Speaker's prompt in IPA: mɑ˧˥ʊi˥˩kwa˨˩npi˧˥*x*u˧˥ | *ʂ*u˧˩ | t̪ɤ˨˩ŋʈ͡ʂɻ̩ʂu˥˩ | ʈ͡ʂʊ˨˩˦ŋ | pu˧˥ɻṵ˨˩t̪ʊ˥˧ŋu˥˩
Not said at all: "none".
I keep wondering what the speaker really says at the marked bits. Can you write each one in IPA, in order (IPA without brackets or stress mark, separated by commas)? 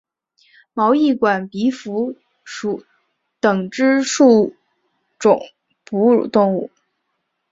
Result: f, ʂ